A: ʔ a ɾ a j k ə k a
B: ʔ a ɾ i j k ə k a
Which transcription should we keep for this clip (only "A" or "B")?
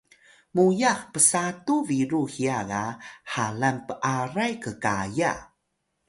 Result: A